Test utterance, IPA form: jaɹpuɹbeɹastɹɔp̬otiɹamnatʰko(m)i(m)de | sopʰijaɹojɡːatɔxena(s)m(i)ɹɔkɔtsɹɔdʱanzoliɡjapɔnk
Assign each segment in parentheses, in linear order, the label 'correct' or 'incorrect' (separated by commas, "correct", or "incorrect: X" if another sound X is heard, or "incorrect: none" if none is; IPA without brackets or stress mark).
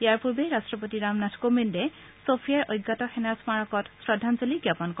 correct, incorrect: n, correct, incorrect: a